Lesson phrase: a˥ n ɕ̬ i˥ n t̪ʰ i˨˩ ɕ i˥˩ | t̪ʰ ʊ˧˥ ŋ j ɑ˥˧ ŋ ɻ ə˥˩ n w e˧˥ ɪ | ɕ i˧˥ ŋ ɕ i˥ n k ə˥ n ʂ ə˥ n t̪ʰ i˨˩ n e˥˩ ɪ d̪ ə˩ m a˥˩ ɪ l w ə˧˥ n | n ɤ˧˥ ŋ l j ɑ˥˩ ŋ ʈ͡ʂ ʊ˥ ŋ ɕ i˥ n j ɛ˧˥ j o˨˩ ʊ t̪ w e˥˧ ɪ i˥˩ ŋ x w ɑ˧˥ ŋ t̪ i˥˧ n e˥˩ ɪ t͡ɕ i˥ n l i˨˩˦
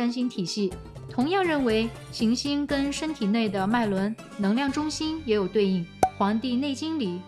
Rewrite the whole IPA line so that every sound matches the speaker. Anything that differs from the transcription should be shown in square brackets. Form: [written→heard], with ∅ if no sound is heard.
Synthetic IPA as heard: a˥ n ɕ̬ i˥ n t̪ʰ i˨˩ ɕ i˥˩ | t̪ʰ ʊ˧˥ ŋ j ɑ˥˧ ŋ ɻ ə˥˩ n w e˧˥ ɪ | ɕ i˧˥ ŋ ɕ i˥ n k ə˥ n ʂ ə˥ n t̪ʰ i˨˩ n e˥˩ ɪ d̪ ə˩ m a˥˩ ɪ l w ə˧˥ n | n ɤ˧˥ ŋ l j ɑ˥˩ ŋ ʈ͡ʂ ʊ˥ ŋ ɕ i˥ n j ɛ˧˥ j o˨˩ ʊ t̪ w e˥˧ ɪ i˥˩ ŋ x w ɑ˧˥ ŋ t̪ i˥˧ n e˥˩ ɪ t͡ɕ i˥ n l i˨˩˦